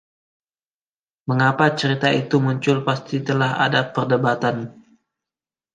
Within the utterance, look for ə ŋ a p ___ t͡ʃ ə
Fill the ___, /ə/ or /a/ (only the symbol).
a